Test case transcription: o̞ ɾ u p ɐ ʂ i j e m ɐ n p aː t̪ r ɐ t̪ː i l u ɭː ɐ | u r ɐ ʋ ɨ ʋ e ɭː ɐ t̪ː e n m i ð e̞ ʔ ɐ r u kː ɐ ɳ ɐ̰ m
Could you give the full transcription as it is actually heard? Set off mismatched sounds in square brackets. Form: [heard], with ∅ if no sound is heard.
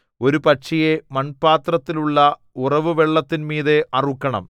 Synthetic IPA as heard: o̞ ɾ u p ɐ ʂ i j e m ɐ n p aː t̪ r ɐ t̪ː i l u ɭː ɐ | u r ɐ ʋ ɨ ʋ e ɭː ɐ t̪ː [i] n m [iː] ð e̞ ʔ ɐ r u kː ɐ ɳ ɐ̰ m